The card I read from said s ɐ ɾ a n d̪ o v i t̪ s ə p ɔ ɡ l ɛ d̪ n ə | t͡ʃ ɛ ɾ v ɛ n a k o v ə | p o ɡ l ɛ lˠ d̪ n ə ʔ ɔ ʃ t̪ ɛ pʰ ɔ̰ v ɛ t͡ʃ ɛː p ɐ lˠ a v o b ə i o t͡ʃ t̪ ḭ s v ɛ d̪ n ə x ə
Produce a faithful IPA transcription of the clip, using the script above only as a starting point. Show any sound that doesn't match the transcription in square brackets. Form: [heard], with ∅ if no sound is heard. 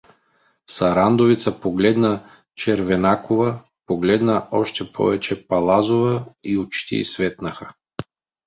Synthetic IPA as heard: s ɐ ɾ a n d̪ o v i t̪ s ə p [o] ɡ l ɛ d̪ n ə | t͡ʃ ɛ ɾ v ɛ n a k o v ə | p o ɡ l ɛ [∅] d̪ n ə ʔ ɔ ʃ t̪ ɛ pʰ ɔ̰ v ɛ t͡ʃ [ɛ] p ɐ lˠ a [z] o [v] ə i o t͡ʃ t̪ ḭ s v ɛ [t̪] n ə x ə

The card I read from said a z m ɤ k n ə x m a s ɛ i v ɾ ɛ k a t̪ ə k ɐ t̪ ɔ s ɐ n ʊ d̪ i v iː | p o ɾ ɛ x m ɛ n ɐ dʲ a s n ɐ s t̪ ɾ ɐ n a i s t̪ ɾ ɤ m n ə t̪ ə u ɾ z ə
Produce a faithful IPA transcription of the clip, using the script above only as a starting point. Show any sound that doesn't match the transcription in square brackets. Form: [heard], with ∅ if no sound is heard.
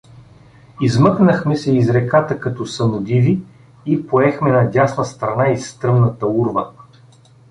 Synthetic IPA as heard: [i] z m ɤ k n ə x m [ɛ] s ɛ i [z] ɾ ɛ k a t̪ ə k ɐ t̪ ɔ s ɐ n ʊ d̪ i v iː | p o [∅] ɛ x m ɛ n ɐ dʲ a s n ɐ s t̪ ɾ ɐ n a i s t̪ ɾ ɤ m n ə t̪ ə u ɾ [v] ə

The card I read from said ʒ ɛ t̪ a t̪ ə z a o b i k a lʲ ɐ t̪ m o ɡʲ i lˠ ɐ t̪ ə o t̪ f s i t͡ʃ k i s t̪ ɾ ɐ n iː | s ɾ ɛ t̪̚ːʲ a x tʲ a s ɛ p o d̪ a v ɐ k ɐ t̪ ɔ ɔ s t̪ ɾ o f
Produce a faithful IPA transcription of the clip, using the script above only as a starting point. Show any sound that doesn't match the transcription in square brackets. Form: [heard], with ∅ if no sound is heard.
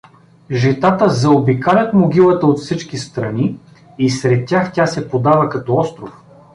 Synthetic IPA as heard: ʒ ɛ t̪ a t̪ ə z [ɐ] o b i k a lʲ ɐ t̪ m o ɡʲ i lˠ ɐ t̪ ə o t̪ f s i t͡ʃ k i s t̪ ɾ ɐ n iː | s ɾ ɛ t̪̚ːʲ a x tʲ a s ɛ p o d̪ a v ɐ k ɐ t̪ ɔ ɔ s t̪ ɾ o f

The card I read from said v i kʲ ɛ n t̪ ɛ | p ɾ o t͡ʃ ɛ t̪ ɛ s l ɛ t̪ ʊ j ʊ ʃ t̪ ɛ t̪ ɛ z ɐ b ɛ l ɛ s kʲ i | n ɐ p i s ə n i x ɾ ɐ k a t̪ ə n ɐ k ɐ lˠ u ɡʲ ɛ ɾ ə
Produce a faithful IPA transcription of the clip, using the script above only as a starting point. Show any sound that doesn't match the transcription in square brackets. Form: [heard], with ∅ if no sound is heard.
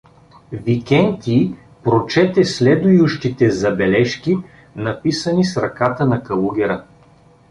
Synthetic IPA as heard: v i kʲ ɛ n t̪ [i] | p ɾ o t͡ʃ ɛ t̪ ɛ s l ɛ [d̪] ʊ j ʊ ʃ t̪ [i] t̪ ɛ z ɐ b ɛ l ɛ [ʃ] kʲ i | n ɐ p i s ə n i [s] ɾ ɐ k a t̪ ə n ɐ k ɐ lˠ u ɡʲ ɛ ɾ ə

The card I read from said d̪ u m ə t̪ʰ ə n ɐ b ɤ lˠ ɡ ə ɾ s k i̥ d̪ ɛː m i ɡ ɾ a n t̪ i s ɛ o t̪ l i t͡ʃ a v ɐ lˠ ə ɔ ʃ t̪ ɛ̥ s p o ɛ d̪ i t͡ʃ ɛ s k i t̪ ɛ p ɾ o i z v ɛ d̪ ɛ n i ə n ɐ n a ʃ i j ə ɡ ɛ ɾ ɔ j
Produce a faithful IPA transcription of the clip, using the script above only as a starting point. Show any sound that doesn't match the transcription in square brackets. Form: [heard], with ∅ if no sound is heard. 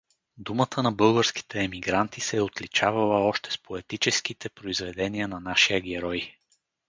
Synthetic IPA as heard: d̪ u m ə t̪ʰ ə n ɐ b ɤ lˠ ɡ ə ɾ s k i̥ [t̪] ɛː m i ɡ ɾ a n t̪ i s ɛ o t̪ l i t͡ʃ a v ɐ lˠ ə ɔ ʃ t̪ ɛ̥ s p o ɛ [t̪] i t͡ʃ ɛ s k i t̪ ɛ p ɾ o i z v ɛ d̪ ɛ n i ə n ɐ n a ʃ i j ə ɡ ɛ ɾ ɔ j

